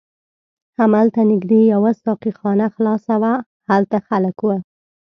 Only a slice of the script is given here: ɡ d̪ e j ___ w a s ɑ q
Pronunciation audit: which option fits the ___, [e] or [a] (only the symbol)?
a